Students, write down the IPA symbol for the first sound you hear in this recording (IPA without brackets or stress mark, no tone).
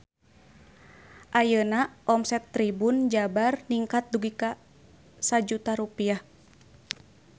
ʔ